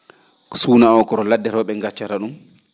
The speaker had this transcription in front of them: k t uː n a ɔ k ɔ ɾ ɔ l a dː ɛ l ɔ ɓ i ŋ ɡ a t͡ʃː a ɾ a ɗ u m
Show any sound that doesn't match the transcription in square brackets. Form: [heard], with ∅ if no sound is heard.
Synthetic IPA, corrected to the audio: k [s] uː n a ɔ k ɔ ɾ ɔ l a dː ɛ [ɾ] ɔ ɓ [ɛ] ŋ ɡ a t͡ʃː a ɾ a ɗ u m